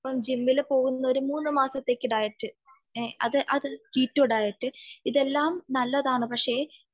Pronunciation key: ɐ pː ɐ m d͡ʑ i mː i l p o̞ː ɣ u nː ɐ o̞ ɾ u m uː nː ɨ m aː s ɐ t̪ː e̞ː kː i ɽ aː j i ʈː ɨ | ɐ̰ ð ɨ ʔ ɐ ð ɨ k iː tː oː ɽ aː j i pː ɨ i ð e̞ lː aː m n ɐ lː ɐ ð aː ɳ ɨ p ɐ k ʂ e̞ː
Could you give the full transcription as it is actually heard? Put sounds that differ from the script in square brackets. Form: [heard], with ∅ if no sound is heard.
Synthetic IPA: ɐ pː ɐ m d͡ʑ i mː i l p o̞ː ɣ u nː ɐ o̞ ɾ u m uː nː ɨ m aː s ɐ t̪ː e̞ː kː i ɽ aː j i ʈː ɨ | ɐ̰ ð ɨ ʔ ɐ ð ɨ k iː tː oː ɽ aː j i [ʈː] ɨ i ð e̞ lː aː m n ɐ lː ɐ ð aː ɳ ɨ p ɐ k ʂ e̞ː